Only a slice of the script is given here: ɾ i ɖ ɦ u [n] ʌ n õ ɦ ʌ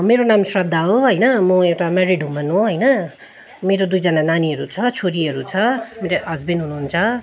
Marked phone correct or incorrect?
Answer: incorrect: m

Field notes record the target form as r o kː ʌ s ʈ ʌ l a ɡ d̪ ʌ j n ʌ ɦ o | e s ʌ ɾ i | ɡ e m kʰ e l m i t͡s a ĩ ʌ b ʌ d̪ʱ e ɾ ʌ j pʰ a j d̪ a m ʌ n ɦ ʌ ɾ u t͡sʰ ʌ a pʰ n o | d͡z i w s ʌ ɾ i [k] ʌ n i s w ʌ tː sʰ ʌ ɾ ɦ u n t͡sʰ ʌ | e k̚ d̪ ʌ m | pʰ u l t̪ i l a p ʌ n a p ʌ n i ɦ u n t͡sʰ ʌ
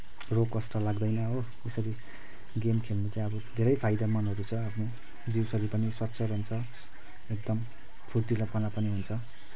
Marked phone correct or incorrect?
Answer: incorrect: p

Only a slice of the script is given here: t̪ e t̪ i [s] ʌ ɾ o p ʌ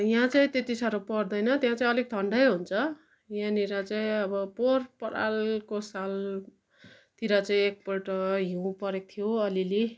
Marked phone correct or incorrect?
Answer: correct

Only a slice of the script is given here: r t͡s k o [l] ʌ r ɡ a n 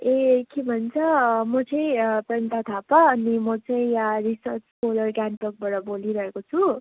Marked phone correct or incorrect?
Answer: correct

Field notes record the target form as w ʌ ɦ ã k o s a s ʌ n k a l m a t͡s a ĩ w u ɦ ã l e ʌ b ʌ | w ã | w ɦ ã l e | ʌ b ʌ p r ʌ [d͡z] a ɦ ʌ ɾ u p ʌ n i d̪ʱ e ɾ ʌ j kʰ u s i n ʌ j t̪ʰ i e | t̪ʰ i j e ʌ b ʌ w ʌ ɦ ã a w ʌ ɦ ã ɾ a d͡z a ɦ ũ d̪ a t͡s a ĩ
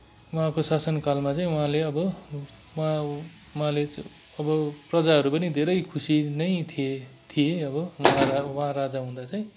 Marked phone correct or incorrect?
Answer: correct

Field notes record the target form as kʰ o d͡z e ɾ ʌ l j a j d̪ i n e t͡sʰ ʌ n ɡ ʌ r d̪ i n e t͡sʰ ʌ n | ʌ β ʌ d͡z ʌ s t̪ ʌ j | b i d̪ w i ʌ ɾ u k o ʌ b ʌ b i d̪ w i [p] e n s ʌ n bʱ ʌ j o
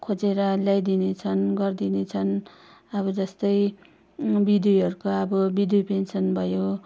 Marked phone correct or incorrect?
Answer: correct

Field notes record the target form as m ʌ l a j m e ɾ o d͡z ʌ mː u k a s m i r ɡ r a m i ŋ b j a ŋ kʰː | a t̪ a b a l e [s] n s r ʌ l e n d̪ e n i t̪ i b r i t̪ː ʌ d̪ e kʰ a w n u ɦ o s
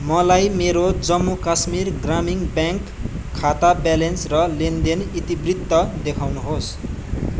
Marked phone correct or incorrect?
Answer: incorrect: none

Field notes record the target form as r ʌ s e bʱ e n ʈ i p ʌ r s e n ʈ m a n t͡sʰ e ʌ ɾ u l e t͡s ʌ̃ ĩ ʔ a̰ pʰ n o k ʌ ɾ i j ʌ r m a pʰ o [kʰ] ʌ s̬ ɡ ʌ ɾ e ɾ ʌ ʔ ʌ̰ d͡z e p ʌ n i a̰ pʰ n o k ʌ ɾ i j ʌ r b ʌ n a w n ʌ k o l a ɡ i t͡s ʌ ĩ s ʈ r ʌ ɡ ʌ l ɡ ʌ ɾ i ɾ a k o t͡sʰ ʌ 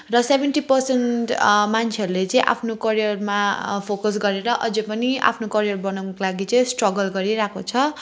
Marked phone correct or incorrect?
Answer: incorrect: k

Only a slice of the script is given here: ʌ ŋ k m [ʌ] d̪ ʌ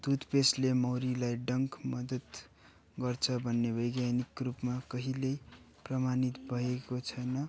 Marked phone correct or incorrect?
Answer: correct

